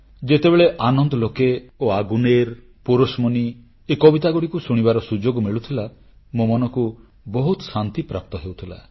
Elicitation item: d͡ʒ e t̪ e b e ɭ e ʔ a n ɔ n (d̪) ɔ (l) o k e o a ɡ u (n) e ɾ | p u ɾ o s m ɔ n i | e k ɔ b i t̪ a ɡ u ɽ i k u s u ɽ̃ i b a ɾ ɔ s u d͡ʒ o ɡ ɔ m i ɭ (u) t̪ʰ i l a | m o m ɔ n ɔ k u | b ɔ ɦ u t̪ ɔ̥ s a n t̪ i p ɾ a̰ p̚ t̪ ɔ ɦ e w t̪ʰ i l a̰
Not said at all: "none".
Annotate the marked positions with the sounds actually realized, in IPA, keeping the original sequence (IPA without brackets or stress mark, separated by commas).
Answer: d̪, l, n, u